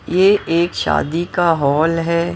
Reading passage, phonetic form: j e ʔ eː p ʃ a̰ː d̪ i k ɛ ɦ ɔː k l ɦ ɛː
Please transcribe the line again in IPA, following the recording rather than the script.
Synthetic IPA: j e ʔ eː k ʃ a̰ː d̪ i k a ɦ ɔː l ɦ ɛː